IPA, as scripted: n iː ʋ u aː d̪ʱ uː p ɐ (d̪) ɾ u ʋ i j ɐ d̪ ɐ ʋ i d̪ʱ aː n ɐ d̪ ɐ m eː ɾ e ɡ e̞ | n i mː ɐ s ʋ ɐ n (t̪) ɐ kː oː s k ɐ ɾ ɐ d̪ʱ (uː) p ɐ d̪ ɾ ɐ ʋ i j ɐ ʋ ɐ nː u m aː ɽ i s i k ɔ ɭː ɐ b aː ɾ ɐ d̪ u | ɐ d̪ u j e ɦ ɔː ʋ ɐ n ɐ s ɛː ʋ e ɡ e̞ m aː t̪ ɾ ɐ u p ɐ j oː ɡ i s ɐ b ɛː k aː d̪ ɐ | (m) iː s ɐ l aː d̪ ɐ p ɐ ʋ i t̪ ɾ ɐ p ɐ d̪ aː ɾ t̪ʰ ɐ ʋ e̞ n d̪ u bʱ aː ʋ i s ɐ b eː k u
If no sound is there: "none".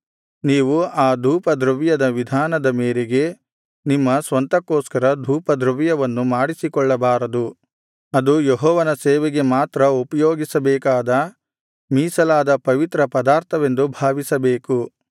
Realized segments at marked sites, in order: d̪, t̪, uː, m

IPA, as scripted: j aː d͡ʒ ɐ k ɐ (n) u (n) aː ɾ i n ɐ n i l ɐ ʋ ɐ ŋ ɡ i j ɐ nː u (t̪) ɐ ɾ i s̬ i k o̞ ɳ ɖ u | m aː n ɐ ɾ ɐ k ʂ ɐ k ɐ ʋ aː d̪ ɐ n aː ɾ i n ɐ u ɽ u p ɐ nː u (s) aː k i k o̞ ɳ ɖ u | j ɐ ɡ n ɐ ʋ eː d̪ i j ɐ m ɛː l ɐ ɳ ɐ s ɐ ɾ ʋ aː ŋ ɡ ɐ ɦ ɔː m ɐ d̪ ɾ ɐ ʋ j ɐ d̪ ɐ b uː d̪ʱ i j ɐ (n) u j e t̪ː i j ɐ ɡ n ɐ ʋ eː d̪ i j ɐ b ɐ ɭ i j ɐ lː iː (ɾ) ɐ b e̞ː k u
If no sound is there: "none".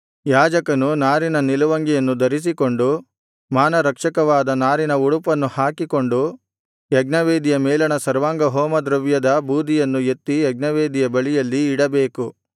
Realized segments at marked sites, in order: n, n, d̪, h, nː, ɽ

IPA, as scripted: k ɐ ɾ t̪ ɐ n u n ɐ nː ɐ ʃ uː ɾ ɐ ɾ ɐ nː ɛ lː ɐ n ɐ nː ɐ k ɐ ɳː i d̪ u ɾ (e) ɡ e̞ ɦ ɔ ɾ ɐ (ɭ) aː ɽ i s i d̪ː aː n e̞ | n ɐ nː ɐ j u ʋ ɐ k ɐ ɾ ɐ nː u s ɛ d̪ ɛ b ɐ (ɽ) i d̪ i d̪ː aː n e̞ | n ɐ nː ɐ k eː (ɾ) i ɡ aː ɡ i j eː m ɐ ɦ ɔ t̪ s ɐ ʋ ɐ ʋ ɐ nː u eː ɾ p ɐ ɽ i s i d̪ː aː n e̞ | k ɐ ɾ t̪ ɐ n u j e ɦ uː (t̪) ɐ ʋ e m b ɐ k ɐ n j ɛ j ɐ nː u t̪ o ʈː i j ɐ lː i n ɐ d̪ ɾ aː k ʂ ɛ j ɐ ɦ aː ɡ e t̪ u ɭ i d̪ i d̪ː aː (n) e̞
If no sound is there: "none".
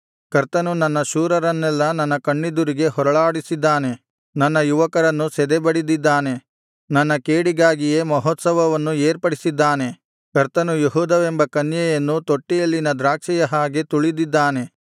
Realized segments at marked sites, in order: i, ɭ, ɽ, ɽ, d̪, n

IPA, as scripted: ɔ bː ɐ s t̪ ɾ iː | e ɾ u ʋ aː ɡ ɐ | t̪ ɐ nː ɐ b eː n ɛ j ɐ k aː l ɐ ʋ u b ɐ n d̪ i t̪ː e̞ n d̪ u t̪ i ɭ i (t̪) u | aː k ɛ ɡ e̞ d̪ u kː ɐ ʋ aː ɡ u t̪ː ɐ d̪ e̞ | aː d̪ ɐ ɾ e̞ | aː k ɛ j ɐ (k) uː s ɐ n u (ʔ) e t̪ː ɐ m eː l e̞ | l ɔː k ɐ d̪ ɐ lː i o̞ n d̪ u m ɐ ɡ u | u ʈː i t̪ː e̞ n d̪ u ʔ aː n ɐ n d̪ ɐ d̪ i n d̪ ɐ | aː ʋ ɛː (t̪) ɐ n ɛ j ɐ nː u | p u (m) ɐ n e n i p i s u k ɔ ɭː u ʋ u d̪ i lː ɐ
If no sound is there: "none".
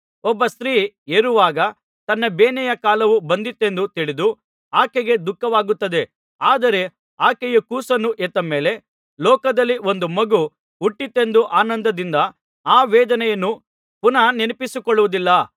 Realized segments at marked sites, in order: d̪, k, ʔ, d̪, n

